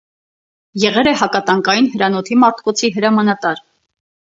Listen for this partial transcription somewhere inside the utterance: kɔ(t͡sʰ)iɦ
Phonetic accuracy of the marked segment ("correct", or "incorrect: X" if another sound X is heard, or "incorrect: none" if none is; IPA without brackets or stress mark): correct